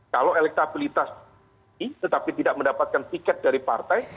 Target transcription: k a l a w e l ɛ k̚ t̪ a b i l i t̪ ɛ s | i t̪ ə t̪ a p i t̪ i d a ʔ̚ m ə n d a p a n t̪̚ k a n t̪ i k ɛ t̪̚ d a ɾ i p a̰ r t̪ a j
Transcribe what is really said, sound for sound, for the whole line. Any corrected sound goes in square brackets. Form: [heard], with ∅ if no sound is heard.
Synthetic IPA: k a l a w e l ɛ k̚ t̪ a b i l i t̪ [a] s | i t̪ ə t̪ a p i t̪ i d a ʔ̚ m ə n d a p a [∅] t̪̚ k a n t̪ i k ɛ t̪̚ d a ɾ i p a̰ r t̪ a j